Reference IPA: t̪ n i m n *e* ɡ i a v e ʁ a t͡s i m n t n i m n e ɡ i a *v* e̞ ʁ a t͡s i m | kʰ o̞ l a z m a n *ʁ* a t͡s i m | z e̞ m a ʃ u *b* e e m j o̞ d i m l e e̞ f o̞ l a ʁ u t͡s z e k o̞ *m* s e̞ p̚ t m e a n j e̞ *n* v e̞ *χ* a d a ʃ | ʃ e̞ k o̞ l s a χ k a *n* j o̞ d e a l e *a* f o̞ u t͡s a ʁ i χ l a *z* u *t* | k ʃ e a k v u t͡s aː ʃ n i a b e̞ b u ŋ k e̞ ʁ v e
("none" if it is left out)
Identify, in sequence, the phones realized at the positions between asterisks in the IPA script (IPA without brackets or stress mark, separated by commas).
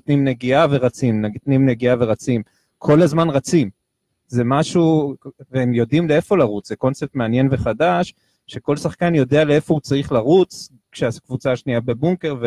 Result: e, v, ʁ, v, n, n, χ, n, e, ʁ, t͡s